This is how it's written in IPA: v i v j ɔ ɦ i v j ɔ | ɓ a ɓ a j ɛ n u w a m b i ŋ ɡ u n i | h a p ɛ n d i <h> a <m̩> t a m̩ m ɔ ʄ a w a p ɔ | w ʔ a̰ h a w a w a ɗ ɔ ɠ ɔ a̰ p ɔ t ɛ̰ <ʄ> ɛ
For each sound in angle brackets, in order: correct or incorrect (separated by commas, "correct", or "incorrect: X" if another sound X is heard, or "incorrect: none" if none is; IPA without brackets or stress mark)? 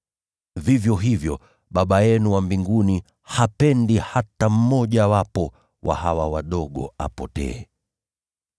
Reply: correct, incorrect: none, incorrect: none